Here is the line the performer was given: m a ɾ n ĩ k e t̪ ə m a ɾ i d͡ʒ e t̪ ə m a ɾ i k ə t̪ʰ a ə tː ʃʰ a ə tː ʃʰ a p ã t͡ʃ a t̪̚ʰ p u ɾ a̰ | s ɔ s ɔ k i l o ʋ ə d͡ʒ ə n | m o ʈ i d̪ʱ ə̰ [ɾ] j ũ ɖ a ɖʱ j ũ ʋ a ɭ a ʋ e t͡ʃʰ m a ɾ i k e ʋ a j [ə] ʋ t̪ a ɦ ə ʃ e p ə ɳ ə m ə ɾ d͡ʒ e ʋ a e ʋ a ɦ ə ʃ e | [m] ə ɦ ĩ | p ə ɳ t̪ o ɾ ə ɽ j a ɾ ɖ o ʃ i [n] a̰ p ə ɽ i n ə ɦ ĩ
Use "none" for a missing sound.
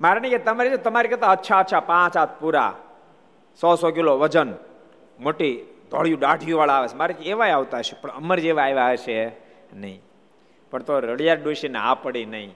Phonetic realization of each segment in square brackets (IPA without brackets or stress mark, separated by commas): ɭ, a, n, n